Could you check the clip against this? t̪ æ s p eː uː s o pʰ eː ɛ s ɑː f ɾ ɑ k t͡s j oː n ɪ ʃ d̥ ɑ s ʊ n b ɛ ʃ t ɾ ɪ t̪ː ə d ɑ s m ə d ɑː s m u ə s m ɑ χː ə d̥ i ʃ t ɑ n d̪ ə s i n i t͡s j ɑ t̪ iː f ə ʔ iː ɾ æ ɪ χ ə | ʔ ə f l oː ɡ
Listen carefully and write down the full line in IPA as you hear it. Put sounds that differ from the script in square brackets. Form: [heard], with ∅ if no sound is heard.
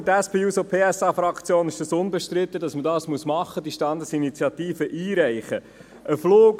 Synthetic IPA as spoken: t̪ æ s p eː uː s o pʰ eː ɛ s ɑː f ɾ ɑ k t͡s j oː n ɪ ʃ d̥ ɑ s ʊ n b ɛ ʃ t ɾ ɪ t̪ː ə d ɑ s m ə d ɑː s m u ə s m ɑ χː ə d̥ i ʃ t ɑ n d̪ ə s i n i t͡s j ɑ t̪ iː f ə ʔ iː ɾ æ ɪ χ ə | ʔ ə f l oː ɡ